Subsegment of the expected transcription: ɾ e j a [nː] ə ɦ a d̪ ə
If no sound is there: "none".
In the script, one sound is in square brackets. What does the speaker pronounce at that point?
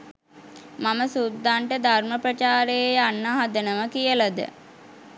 nː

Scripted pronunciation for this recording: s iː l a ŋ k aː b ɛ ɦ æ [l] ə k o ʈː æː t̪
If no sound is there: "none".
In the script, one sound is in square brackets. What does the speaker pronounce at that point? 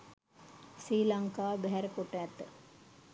ɾ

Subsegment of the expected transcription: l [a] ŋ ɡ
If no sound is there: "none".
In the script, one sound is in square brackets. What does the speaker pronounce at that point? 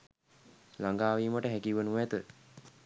a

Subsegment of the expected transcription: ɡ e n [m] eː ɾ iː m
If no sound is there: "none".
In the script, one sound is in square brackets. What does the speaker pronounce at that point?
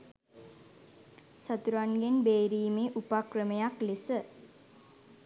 b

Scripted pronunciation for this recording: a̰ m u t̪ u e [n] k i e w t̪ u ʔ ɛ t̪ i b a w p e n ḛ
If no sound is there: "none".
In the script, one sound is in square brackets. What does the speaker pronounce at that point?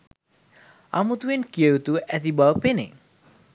n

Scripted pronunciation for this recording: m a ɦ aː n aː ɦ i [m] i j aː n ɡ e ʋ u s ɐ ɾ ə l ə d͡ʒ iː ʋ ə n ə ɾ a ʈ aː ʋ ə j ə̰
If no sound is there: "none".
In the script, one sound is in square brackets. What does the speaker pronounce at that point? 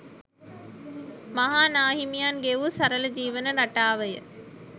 m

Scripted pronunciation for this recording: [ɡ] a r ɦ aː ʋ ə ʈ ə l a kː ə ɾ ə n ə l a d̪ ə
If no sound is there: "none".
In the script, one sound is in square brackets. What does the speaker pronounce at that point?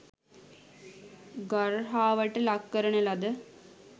ɡ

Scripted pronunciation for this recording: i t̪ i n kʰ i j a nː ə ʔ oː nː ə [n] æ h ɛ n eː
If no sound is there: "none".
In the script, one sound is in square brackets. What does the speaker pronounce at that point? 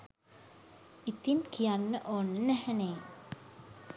n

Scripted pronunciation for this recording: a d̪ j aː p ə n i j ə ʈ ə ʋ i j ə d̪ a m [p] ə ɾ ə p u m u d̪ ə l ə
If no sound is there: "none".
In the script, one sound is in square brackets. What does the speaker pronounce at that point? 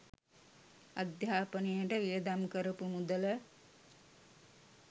k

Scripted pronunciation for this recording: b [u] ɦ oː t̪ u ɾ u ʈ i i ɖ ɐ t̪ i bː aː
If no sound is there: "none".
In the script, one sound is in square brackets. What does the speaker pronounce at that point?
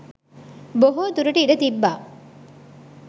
o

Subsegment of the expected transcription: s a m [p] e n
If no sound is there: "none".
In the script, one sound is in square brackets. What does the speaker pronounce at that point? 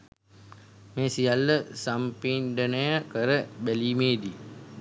p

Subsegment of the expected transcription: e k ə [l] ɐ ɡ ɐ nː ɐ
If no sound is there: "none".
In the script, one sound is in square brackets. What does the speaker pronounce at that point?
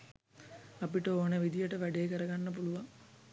ɾ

